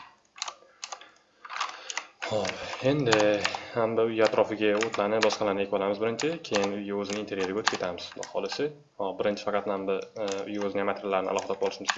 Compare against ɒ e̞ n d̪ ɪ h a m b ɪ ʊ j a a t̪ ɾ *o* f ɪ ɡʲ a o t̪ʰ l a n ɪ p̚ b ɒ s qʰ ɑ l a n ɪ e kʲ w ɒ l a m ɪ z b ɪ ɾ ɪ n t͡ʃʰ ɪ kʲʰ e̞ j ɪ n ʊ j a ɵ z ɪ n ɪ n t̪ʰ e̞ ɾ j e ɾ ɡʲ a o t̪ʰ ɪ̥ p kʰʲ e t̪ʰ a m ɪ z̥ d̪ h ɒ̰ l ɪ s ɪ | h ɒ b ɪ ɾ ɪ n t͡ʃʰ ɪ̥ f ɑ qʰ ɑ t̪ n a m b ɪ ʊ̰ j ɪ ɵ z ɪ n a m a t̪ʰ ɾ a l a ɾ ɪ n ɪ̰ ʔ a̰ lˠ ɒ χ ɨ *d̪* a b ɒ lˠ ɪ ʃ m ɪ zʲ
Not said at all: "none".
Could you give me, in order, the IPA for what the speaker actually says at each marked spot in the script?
ɒ, d̪

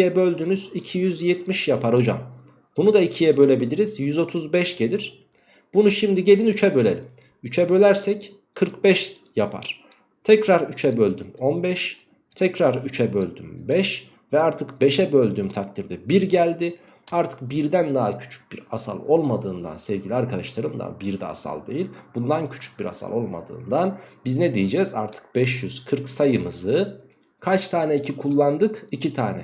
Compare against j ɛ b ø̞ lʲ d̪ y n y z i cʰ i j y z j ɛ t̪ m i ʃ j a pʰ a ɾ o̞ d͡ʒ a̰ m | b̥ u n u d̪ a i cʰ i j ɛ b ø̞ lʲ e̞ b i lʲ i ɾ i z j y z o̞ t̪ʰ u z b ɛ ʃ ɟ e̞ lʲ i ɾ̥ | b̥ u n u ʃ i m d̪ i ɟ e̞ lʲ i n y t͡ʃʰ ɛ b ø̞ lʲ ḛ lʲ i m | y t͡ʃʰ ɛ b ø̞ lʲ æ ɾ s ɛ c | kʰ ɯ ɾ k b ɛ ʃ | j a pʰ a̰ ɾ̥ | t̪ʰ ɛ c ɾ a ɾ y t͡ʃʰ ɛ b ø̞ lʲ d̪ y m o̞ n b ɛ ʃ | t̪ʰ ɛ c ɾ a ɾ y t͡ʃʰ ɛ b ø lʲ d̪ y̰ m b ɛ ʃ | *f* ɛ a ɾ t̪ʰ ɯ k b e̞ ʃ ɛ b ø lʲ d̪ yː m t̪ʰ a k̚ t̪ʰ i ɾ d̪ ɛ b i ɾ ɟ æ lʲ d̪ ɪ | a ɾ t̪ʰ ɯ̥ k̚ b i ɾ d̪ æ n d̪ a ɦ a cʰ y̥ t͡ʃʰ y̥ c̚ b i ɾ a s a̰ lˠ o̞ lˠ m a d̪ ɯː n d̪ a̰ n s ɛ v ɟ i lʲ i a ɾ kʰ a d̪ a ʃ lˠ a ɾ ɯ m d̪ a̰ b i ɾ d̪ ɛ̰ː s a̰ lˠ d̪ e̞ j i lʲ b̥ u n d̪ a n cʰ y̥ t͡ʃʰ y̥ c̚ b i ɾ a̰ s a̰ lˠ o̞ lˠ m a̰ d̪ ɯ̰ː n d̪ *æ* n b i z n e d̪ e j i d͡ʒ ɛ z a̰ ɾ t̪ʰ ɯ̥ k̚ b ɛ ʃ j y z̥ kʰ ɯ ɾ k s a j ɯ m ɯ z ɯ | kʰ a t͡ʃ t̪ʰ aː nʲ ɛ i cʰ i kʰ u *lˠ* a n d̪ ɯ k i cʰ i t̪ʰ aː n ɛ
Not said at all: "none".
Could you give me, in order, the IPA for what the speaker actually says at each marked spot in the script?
v, a, lˠː

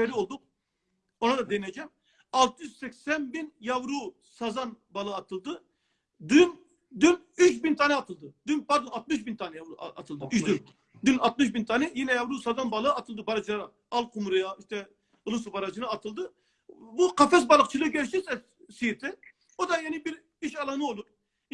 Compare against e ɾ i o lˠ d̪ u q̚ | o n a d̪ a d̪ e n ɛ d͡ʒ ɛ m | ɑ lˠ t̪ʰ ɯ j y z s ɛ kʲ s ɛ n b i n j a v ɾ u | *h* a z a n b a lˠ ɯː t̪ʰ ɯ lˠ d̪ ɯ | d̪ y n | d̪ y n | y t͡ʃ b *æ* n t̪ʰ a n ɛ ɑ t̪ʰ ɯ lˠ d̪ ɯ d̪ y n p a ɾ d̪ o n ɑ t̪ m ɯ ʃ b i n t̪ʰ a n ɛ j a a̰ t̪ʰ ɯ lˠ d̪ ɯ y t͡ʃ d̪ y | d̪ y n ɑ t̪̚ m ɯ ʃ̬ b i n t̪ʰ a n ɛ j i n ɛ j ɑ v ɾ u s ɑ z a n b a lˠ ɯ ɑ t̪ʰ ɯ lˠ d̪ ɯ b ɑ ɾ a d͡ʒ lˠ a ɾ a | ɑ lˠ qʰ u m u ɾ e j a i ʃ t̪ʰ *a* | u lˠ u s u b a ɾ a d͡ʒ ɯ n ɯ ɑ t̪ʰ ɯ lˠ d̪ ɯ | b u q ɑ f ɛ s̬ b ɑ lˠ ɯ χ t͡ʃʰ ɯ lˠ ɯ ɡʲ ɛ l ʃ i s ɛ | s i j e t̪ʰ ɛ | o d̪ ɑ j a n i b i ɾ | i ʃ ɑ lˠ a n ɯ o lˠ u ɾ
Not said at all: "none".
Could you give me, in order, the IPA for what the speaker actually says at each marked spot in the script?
s, i, ɛ

